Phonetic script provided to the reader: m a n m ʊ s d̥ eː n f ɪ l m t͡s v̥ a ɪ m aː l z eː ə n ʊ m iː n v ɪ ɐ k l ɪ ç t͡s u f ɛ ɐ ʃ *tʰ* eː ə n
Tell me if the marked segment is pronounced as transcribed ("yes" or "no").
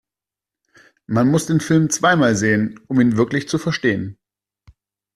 no